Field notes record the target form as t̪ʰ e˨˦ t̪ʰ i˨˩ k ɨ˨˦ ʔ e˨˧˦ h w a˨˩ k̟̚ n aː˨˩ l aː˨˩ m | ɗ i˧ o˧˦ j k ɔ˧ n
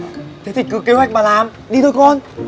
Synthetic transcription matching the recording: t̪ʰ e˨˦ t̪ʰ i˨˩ k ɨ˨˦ k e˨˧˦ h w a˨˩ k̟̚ m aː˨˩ l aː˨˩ m | ɗ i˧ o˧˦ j k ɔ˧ n